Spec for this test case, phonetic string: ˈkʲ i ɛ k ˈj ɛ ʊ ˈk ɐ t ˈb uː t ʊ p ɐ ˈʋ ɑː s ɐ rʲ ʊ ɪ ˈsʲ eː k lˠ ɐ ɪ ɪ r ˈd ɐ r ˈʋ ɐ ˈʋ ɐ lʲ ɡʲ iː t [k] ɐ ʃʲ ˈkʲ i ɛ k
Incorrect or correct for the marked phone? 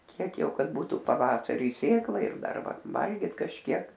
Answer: correct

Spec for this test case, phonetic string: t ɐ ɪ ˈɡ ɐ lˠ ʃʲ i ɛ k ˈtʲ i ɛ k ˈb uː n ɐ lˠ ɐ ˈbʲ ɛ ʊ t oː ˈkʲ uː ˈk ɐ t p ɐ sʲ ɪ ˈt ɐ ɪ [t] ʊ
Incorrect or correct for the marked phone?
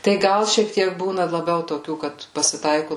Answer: incorrect: k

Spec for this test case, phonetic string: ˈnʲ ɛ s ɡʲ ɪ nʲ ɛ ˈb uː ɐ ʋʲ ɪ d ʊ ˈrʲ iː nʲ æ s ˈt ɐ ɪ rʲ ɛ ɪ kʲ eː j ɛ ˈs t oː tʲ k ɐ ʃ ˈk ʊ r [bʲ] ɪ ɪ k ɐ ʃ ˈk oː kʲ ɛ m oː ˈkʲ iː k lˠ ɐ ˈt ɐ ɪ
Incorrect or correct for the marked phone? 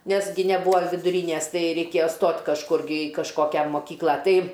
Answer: incorrect: ɡʲ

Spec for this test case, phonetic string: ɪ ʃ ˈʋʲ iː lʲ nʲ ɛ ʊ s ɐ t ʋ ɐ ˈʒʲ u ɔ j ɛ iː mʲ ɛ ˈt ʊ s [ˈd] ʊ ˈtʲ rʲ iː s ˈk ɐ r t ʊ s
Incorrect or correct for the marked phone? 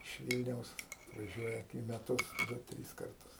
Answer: correct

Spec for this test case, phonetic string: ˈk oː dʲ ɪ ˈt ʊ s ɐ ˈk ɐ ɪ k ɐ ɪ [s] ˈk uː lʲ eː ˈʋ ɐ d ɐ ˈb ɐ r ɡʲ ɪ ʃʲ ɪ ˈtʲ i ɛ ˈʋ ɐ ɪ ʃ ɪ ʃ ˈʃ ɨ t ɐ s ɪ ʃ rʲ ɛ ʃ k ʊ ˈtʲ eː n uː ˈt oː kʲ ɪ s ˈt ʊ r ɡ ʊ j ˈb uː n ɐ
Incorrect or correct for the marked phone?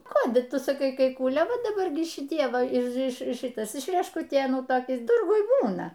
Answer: incorrect: none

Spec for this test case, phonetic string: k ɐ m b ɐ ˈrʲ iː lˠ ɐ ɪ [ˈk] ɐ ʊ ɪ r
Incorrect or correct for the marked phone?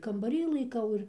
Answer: correct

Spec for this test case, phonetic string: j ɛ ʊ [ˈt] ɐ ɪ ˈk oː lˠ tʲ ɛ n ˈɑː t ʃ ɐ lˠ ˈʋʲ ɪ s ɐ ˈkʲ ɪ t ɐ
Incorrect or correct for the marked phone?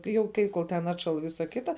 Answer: incorrect: k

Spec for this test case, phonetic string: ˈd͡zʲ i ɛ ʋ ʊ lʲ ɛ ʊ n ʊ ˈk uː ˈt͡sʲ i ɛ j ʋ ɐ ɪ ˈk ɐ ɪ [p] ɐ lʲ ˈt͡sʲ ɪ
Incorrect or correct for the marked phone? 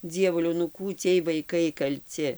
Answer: incorrect: k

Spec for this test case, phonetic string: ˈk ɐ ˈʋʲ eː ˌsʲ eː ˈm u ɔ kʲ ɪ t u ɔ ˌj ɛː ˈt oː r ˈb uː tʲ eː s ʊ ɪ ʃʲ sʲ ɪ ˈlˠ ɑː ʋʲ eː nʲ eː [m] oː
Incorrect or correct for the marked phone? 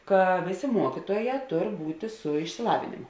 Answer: correct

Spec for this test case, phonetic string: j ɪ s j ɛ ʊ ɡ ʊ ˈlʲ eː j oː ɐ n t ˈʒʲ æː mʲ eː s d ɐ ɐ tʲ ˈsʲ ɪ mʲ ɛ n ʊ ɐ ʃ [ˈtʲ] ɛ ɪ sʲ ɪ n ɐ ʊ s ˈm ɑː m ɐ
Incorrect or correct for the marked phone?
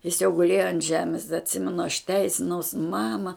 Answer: correct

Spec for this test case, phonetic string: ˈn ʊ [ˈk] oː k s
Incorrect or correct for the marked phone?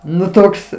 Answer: incorrect: t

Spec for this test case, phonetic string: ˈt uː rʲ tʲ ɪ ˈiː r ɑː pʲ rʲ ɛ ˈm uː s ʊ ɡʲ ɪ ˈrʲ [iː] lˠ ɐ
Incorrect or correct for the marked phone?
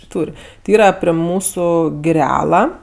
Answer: incorrect: æː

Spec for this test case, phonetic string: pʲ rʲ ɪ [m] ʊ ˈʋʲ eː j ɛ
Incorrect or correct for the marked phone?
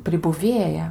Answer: incorrect: b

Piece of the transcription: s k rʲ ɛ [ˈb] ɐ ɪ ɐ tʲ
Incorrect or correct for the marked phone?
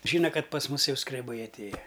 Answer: correct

